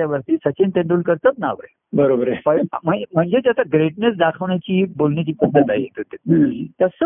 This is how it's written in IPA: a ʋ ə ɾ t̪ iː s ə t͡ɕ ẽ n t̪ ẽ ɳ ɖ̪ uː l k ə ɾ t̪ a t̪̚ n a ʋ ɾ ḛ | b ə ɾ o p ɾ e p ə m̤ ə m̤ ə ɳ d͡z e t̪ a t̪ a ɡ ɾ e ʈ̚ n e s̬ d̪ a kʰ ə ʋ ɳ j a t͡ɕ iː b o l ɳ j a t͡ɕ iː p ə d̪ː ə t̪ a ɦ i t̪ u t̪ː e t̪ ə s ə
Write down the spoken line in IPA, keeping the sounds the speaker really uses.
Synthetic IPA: a ʋ ə ɾ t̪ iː s ə t͡ɕ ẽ n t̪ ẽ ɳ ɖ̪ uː l k ə ɾ t̪ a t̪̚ n a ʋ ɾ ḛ | b ə ɾ o b ɾ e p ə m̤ ə m̤ ə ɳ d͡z e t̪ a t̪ a ɡ ɾ e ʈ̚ n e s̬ d̪ a kʰ ə ʋ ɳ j a t͡ɕ iː b o l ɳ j a t͡ɕ iː p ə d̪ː ə t̪ a ɦ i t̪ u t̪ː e t̪ ə s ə